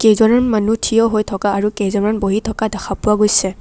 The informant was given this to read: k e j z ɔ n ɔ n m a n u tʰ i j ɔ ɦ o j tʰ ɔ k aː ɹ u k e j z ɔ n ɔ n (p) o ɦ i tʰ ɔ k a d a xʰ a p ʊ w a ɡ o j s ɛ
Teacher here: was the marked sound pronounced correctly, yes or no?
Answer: no